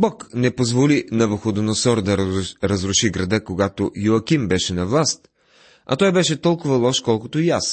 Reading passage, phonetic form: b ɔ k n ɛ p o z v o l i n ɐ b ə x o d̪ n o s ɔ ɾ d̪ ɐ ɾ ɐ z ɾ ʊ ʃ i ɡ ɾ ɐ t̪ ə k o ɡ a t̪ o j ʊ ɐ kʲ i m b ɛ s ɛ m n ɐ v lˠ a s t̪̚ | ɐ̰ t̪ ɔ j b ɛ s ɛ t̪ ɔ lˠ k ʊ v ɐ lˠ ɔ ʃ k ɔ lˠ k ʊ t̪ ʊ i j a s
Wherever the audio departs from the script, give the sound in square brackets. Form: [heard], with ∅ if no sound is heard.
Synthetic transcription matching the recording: b ɔ k n ɛ p o z v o l i n ɐ [v] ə x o d̪ n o s ɔ ɾ d̪ ɐ ɾ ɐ z ɾ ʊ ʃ i ɡ ɾ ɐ [d̪] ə k o ɡ a t̪ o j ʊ ɐ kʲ i m b ɛ [ʃ] ɛ [∅] n ɐ v lˠ a s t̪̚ | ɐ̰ t̪ ɔ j b ɛ [ʃ] ɛ t̪ ɔ lˠ k ʊ v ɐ lˠ ɔ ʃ k ɔ lˠ k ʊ t̪ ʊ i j a s